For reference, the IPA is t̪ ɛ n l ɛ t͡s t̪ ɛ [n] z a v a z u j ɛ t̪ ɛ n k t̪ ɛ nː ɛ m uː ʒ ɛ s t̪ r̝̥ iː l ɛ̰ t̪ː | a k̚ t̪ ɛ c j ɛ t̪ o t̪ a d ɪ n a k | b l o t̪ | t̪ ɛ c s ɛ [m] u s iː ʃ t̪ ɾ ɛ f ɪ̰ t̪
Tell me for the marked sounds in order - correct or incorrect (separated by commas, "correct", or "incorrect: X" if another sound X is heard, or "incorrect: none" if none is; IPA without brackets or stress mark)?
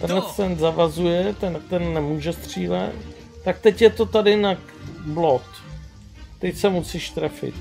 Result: correct, correct